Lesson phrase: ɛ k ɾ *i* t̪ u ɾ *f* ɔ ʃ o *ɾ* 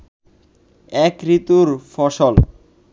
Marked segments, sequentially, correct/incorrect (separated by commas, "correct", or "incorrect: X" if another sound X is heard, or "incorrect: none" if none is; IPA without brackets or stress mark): correct, correct, incorrect: l